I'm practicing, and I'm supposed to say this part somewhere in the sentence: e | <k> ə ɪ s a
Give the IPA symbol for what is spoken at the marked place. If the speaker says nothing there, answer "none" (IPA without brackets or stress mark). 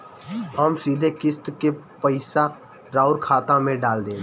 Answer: p